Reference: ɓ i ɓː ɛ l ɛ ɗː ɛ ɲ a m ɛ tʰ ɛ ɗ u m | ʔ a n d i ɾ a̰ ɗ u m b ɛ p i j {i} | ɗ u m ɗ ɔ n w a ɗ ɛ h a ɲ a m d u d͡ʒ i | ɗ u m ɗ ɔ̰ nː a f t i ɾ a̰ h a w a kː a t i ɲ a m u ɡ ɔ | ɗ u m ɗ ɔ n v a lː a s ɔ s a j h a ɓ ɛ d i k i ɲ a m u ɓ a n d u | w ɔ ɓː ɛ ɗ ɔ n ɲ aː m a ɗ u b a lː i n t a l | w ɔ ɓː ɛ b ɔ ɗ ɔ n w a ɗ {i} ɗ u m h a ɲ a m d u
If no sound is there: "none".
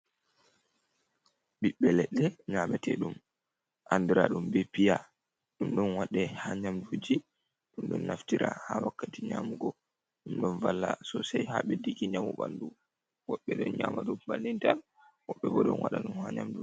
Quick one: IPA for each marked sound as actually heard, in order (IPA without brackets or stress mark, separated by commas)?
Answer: a, a